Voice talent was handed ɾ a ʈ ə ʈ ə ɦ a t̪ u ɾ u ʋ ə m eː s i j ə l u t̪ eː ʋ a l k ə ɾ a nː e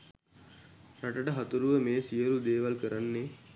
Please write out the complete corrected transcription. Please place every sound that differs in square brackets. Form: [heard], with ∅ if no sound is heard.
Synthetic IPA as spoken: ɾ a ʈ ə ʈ ə ɦ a t̪ u ɾ u ʋ ə m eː s i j ə l u [d̪] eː ʋ a l k ə ɾ a nː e